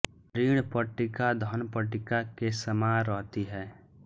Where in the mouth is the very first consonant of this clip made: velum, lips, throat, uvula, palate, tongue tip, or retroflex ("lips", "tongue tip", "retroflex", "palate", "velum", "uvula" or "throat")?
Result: tongue tip